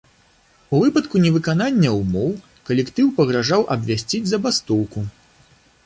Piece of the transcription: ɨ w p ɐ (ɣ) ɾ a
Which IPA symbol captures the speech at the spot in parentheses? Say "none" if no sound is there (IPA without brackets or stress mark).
ɣ